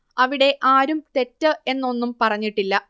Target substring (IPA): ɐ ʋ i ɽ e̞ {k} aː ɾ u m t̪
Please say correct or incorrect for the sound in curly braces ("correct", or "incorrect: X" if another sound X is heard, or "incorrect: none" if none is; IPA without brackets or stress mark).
incorrect: ʔ